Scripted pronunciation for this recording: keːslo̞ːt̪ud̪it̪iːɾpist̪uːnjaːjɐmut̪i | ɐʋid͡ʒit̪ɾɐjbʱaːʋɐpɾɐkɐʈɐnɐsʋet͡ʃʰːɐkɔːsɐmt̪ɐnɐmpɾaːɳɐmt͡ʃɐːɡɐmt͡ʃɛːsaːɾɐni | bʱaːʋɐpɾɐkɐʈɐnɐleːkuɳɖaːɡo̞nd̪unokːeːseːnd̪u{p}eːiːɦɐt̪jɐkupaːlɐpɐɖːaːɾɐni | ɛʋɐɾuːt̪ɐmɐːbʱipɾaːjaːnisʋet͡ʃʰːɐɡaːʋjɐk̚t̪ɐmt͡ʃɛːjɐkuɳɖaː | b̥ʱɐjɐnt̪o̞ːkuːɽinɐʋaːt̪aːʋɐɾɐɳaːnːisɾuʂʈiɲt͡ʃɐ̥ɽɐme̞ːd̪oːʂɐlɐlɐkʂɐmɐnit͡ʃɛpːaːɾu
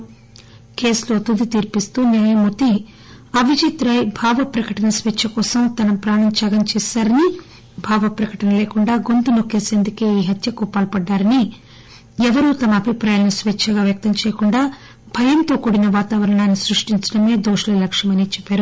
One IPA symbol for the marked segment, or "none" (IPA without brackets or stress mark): k